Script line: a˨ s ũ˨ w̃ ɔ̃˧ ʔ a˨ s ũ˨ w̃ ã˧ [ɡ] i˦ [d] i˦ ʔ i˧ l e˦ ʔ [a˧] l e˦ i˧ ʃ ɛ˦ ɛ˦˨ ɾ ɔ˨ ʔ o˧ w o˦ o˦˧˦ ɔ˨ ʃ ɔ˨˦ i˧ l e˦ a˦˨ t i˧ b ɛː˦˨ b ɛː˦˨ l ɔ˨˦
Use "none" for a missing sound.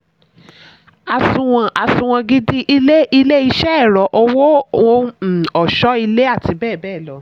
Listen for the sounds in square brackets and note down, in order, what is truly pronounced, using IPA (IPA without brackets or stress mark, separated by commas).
ɡ, d, i˧